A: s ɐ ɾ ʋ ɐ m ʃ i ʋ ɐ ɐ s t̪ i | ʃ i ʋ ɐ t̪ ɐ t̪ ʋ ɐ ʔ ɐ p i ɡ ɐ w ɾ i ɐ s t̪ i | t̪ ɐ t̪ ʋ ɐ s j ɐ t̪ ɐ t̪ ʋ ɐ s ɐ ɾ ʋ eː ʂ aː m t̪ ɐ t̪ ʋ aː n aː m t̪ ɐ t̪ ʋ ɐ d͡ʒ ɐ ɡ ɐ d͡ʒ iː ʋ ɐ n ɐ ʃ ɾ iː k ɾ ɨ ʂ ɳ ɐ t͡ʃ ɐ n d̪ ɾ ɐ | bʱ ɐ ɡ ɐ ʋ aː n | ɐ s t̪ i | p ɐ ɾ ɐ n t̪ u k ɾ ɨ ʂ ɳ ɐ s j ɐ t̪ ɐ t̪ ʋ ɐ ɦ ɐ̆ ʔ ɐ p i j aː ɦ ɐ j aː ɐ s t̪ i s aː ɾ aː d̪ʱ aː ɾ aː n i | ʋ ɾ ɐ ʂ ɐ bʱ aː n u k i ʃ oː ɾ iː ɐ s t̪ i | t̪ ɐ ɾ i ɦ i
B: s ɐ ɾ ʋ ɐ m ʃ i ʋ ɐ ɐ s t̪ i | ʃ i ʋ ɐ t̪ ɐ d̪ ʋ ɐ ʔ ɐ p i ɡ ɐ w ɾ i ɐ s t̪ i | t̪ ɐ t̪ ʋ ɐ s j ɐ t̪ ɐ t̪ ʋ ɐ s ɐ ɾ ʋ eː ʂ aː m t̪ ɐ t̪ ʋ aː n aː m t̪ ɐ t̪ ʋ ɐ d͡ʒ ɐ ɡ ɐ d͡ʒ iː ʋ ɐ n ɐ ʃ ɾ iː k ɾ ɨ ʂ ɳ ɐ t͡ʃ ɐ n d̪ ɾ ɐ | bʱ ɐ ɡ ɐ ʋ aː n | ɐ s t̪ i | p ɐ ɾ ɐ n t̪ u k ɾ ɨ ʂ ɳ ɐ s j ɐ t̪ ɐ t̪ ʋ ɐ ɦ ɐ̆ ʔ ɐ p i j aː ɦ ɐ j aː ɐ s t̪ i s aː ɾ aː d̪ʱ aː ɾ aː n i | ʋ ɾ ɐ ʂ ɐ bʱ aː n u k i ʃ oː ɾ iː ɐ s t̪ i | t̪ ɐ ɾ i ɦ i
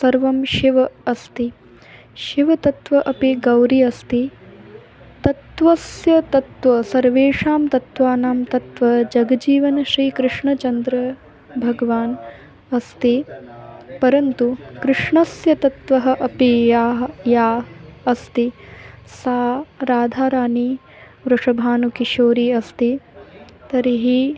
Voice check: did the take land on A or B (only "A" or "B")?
A